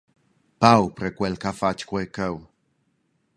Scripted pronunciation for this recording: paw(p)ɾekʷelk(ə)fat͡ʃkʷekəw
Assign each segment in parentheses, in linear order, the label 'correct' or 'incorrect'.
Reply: correct, incorrect: a

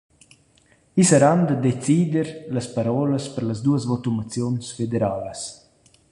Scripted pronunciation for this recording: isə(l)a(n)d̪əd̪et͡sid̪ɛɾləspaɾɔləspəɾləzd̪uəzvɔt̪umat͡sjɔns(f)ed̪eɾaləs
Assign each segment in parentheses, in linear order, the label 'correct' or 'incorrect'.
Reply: incorrect: ɾ, correct, correct

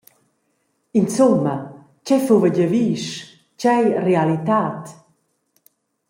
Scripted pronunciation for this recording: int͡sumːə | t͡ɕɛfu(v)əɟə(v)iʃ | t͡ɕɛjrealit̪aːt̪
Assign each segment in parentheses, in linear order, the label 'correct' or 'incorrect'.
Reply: correct, correct

